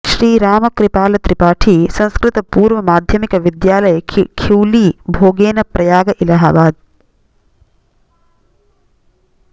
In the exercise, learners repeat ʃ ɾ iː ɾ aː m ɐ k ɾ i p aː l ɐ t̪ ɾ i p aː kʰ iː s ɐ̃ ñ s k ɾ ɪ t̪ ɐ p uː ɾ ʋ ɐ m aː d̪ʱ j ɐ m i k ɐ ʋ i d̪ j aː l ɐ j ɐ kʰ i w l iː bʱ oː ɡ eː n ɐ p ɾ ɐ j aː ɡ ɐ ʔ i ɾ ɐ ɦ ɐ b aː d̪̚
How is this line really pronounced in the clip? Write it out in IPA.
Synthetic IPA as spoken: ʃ ɾ iː ɾ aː m ɐ k ɾ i p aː l ɐ t̪ ɾ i p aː ʈʰ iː s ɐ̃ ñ s k ɾ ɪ t̪ ɐ p uː ɾ ʋ ɐ m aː d̪ʱ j ɐ m i k ɐ ʋ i d̪ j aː l ɐ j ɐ kʰ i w l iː bʱ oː ɡ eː n ɐ p ɾ ɐ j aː ɡ ɐ ʔ i l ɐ ɦ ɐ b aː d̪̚